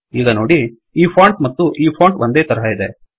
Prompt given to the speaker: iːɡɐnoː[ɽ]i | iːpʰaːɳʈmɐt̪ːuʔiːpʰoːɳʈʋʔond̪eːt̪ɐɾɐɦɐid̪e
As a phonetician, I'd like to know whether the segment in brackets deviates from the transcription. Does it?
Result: no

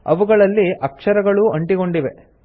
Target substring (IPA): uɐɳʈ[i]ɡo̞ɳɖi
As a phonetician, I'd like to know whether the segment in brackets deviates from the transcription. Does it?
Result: no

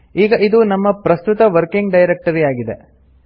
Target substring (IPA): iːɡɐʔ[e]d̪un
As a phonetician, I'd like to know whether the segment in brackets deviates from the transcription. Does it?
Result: yes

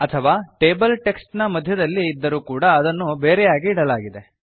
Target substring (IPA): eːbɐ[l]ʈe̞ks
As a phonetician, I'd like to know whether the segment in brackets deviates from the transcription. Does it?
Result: no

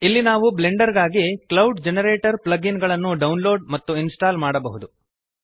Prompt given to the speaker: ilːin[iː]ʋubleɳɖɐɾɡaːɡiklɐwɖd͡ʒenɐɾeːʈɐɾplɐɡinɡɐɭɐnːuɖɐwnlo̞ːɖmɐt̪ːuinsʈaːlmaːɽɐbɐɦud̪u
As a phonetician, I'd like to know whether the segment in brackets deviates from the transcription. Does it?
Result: yes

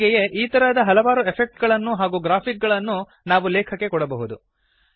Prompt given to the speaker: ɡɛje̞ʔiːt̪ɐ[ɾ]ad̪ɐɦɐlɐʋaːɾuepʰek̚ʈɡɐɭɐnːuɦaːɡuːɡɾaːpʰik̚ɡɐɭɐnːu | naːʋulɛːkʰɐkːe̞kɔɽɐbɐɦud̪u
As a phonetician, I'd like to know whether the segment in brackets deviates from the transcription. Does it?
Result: no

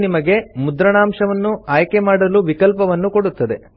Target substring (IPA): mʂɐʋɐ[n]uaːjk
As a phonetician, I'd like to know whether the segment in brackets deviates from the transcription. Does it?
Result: yes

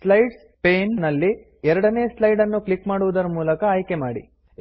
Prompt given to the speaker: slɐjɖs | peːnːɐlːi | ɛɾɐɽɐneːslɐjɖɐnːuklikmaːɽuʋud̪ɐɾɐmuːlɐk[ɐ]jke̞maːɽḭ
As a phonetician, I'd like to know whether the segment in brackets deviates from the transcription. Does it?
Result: yes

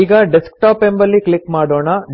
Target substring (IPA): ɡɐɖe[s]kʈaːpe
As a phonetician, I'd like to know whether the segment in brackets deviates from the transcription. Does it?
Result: no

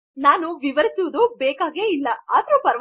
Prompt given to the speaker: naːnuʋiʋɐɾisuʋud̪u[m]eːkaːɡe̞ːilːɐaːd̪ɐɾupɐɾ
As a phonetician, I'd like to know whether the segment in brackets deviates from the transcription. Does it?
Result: yes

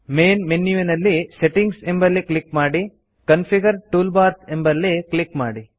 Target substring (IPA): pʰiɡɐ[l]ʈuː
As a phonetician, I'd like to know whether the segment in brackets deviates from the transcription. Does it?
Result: yes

